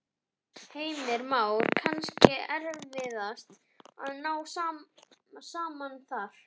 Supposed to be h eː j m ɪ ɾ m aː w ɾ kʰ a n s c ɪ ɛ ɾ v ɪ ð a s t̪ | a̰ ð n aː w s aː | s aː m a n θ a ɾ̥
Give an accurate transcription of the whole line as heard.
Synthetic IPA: h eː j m ɪ ɾ m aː w ɾ kʰ a n s c ɪ ɛ ɾ v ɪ ð a s t̪ | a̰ ð n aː w s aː | s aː m a n θ a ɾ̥